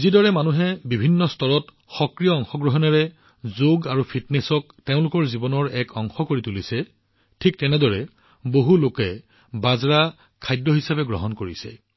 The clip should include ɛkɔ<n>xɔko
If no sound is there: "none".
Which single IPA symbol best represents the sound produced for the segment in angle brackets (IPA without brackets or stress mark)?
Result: ŋ